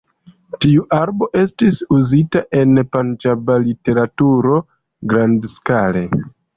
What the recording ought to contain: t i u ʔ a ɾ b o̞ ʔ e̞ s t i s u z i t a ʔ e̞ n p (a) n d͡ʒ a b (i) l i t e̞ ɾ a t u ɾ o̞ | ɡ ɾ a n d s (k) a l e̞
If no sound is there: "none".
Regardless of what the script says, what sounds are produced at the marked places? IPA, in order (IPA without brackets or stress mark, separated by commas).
a, a, k